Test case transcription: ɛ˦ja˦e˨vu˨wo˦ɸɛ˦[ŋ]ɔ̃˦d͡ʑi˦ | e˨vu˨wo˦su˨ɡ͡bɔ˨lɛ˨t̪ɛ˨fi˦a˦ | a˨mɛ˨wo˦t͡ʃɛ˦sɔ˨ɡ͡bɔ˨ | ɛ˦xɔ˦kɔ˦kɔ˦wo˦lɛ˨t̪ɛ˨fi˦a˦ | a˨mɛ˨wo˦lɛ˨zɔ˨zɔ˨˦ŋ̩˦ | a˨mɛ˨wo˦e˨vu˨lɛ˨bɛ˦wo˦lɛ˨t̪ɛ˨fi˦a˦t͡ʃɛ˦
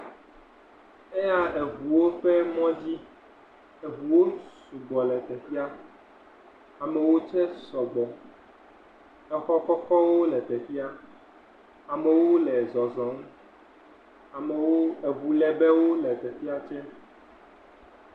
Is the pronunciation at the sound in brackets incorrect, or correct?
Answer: incorrect: m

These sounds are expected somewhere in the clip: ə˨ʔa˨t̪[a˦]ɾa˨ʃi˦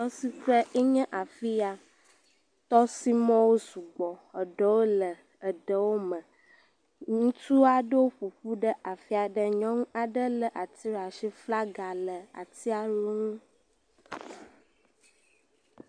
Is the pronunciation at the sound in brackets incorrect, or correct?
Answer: incorrect: i˦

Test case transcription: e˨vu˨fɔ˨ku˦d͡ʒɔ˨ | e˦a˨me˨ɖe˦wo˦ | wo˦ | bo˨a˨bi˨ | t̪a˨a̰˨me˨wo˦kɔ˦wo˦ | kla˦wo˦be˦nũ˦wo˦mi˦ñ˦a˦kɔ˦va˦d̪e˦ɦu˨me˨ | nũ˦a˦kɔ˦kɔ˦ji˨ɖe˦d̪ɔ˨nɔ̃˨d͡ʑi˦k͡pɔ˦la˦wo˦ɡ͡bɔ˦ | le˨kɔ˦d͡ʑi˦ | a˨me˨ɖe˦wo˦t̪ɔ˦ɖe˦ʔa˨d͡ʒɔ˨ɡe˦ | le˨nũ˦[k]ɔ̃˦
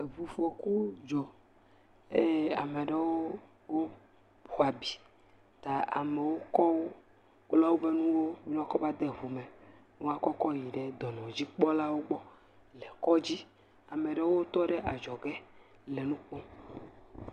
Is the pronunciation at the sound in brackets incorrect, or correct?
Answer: incorrect: k͡p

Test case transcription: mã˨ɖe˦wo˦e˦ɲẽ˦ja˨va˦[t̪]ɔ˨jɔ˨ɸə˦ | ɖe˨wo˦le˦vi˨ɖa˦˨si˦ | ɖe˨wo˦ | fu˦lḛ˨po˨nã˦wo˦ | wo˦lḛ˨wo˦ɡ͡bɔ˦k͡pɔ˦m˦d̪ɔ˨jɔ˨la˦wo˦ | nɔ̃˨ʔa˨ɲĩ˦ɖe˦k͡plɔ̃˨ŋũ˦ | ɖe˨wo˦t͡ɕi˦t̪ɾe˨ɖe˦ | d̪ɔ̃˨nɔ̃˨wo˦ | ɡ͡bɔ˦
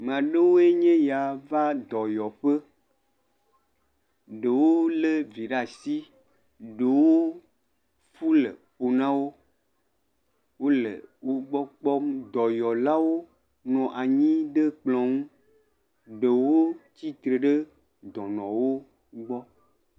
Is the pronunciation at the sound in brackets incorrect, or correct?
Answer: incorrect: d̪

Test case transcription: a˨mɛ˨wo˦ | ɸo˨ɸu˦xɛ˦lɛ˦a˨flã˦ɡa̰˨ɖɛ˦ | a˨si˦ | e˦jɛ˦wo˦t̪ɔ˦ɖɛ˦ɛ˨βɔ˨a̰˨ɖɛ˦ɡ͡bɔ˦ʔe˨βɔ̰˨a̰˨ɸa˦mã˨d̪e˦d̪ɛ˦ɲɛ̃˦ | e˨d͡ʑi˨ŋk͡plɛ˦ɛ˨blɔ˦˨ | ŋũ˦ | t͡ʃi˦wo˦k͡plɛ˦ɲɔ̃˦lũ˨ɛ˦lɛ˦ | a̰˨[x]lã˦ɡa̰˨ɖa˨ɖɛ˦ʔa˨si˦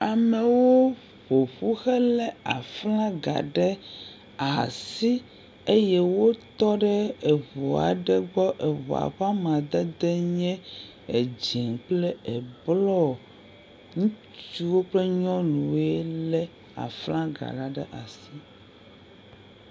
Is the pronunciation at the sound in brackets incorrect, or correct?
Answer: incorrect: f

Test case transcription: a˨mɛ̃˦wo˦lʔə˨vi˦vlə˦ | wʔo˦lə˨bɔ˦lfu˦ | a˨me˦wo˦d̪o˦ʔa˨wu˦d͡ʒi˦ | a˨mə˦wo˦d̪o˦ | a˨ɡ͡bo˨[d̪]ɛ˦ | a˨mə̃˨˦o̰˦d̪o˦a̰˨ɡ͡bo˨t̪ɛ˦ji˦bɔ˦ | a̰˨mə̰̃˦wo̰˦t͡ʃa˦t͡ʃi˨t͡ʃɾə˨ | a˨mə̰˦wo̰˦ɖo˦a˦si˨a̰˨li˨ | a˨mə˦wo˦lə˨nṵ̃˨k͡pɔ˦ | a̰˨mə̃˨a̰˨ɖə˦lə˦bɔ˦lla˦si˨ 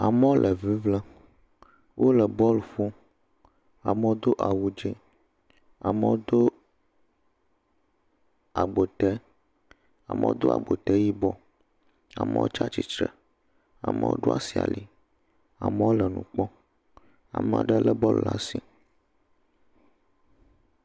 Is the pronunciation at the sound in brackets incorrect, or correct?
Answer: incorrect: t̪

